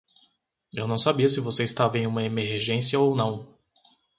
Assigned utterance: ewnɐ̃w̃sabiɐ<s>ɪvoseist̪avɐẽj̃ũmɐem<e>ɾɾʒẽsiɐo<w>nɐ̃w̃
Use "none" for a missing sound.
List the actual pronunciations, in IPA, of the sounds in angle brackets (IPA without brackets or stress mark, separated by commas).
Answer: s, e, w